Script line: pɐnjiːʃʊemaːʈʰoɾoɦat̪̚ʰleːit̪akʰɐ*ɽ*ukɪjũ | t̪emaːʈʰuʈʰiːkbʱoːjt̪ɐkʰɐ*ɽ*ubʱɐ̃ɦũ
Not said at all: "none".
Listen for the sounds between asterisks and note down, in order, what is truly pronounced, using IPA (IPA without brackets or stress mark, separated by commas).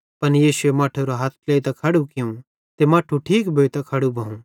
ɽ, ɽ